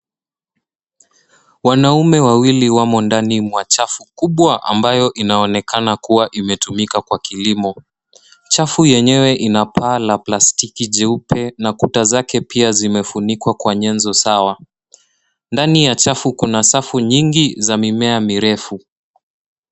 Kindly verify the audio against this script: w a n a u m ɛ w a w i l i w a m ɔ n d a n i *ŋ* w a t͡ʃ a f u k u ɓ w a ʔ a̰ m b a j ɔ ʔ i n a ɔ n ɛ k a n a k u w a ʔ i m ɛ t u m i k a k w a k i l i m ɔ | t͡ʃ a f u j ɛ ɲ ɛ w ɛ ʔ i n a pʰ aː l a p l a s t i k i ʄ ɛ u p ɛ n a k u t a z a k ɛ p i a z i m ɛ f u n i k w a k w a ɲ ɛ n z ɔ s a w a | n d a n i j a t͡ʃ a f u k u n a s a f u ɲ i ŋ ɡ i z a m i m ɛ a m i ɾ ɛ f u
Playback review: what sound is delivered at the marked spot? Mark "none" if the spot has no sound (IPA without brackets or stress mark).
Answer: m